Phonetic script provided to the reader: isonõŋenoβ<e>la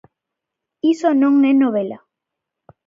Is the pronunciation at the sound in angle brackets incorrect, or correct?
correct